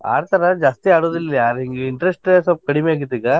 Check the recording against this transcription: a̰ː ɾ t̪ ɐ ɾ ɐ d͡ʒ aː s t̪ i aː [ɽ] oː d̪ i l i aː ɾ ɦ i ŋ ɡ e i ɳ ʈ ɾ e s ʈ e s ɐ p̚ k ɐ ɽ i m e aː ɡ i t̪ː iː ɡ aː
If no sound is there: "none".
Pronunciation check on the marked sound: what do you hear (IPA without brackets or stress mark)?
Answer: ɽ